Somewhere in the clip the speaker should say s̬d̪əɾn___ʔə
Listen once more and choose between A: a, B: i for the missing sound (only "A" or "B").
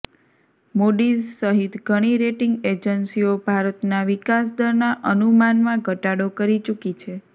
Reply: A